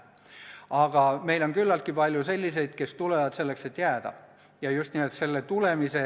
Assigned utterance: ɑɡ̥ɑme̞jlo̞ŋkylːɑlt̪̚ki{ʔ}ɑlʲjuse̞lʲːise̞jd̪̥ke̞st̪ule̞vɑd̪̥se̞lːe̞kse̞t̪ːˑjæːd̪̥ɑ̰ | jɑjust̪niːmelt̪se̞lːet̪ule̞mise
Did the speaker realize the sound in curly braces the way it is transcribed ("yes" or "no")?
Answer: no